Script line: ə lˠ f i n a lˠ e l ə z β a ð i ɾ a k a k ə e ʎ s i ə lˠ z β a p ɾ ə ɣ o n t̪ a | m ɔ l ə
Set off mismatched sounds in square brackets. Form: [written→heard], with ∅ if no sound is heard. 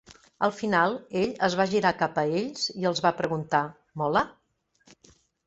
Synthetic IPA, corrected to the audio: ə lˠ f i n a lˠ e [l→ʎ] ə z β a [ð→ʒ] i ɾ a k a [k→p] ə e ʎ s i ə lˠ z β a p ɾ ə ɣ [o→u] n t̪ a | m ɔ l ə